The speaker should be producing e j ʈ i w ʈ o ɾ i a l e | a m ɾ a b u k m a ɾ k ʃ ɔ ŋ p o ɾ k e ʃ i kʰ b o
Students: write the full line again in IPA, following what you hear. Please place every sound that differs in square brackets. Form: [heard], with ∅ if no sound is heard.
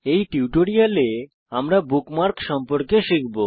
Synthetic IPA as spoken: e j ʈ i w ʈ o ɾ i a l e | a m ɾ a b u k m a ɾ k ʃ ɔ [m] p o ɾ k e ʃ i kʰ b o